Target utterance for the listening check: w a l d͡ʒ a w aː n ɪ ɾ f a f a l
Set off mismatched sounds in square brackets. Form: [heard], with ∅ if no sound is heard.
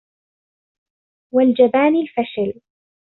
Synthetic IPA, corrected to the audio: w a l d͡ʒ a [b] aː n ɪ [l] f a [ʃ] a l